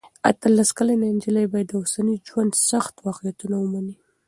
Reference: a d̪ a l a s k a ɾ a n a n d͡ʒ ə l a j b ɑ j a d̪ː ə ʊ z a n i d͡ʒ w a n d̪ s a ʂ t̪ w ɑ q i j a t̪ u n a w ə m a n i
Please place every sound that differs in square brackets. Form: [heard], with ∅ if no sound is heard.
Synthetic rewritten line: a [t̪] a l a s k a [l] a n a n d͡ʒ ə l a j b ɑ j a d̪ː ə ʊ [s] a n i d͡ʒ w a n d̪ s a [x] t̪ w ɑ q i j a t̪ u n a w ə m a n i